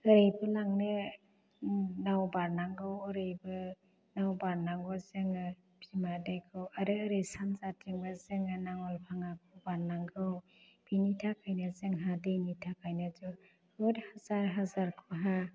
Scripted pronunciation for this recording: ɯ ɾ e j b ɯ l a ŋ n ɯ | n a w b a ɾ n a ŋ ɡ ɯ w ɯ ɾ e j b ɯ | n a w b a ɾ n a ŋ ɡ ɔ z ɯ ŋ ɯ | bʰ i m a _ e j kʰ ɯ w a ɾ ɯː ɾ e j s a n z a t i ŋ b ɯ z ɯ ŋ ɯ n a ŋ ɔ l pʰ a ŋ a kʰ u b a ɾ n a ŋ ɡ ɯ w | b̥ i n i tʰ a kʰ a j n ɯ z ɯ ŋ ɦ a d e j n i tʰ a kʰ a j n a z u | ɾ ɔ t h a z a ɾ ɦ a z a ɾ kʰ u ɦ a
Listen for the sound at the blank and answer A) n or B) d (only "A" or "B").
B